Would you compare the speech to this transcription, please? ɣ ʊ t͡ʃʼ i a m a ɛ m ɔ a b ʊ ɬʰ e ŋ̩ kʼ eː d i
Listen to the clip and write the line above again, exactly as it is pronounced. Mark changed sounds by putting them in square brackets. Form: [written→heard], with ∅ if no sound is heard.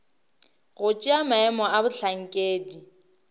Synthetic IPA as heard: ɣ ʊ t͡ʃʼ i a m a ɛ m ɔ a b ʊ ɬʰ [e→a] ŋ̩ kʼ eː d i